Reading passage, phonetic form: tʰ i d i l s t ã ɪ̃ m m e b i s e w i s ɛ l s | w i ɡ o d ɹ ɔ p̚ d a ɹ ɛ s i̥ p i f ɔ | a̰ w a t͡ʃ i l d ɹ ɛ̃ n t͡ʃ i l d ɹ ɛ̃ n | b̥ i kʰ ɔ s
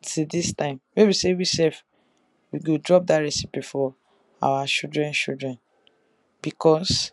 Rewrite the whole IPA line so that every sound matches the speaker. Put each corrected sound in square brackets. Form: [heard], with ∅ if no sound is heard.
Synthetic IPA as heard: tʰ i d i [∅] s t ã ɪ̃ m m e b i s e w i s ɛ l [f] | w i ɡ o d ɹ ɔ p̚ d a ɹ ɛ s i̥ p i f ɔ | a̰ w a t͡ʃ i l d ɹ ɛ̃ n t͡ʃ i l d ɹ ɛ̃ n | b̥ i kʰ ɔ s